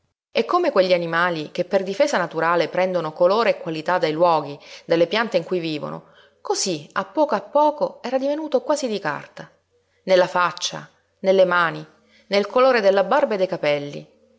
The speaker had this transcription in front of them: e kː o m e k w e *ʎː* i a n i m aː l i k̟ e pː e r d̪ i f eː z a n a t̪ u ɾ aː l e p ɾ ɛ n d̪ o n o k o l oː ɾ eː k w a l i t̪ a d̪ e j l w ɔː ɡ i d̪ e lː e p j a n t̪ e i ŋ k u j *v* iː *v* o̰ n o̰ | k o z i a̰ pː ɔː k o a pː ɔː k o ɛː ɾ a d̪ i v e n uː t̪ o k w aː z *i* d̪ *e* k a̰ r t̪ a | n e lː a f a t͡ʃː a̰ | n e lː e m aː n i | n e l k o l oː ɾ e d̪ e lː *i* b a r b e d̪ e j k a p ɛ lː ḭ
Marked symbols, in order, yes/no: yes, yes, yes, yes, no, no

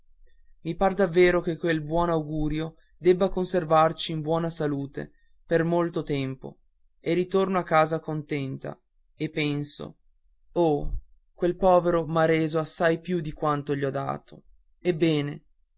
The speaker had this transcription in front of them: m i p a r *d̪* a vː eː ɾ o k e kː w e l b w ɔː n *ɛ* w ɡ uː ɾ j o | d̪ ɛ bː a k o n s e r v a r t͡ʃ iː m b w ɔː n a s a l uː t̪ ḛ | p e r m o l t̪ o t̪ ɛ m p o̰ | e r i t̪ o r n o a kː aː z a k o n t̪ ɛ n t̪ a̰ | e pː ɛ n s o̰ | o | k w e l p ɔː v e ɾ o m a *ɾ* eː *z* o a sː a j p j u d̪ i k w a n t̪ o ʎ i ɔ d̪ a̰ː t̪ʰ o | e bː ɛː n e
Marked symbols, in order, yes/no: yes, no, yes, yes

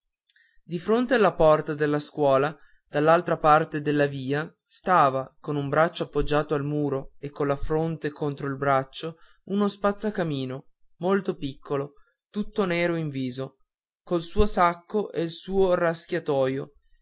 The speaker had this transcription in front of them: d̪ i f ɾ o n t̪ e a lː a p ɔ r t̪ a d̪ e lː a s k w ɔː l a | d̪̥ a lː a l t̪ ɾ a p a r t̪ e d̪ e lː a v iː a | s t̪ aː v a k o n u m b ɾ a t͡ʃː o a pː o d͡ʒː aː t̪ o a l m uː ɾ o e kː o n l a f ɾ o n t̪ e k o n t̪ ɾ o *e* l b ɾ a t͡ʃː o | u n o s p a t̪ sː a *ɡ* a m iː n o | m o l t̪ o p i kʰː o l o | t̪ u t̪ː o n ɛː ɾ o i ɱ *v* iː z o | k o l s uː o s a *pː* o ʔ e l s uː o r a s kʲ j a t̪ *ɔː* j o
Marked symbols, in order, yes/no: no, no, yes, no, yes

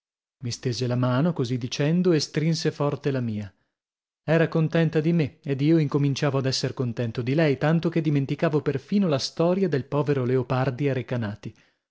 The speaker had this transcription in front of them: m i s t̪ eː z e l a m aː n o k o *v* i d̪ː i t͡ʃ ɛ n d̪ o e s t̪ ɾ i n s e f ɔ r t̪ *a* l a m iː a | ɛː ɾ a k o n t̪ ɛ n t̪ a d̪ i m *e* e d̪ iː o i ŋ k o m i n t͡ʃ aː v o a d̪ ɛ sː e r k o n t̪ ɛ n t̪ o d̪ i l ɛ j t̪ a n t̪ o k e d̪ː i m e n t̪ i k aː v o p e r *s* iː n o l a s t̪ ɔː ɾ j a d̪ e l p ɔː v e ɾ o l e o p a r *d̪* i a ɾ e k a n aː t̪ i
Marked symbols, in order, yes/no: no, no, yes, no, yes

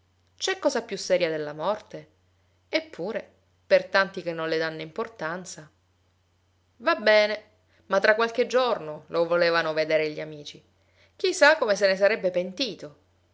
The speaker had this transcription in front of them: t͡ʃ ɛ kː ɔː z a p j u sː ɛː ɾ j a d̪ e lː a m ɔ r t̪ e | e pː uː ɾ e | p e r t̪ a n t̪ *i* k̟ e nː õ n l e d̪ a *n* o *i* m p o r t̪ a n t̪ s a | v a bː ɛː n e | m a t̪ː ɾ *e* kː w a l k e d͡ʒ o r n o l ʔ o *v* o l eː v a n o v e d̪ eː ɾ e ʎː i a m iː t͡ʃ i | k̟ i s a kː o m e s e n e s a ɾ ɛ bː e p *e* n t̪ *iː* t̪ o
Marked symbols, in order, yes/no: yes, no, yes, no, yes, yes, yes

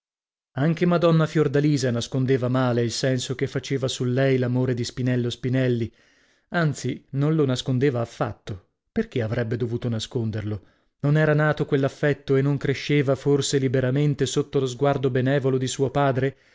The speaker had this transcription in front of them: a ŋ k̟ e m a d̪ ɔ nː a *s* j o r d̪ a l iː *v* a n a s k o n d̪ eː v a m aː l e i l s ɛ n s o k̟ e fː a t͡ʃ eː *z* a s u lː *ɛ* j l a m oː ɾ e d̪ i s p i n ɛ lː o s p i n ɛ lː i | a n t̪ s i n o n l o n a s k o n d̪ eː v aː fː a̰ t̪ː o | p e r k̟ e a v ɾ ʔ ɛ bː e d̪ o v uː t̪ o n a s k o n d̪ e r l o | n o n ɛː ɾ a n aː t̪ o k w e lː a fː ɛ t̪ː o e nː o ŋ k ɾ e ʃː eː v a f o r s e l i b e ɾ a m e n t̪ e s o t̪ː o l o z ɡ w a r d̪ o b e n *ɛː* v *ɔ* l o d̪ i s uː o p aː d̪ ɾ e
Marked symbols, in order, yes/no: no, no, no, yes, yes, no

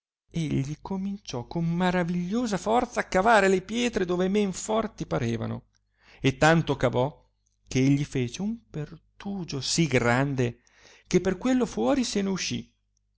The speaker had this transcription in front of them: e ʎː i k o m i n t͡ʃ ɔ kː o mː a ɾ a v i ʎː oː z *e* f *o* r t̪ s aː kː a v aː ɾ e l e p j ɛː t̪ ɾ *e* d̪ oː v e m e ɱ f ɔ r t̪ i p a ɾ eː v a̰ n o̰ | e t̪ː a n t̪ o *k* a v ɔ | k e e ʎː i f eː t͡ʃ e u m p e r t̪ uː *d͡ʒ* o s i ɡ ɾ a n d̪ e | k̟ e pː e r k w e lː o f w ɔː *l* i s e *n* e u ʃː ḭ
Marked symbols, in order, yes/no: no, no, yes, yes, yes, no, yes

